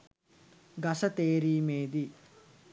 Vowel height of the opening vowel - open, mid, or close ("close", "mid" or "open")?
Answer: open